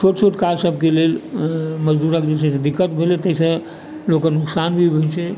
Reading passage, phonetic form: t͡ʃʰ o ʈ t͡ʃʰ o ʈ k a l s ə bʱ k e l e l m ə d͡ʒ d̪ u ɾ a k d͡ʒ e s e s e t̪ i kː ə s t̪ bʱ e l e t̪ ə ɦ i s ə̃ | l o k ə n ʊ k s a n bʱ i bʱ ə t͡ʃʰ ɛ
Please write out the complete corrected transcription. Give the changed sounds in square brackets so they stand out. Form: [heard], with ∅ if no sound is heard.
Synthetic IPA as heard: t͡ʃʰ o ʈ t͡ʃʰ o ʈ k a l s ə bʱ k e l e l m ə d͡ʒ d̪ u ɾ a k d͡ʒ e s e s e [d̪] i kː ə [∅] t̪ bʱ e l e t̪ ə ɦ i s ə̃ | l o k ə n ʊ k s a n bʱ i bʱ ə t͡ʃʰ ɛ